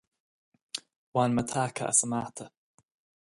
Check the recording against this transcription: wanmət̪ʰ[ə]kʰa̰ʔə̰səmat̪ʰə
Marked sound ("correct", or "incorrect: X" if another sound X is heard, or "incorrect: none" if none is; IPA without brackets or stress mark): incorrect: a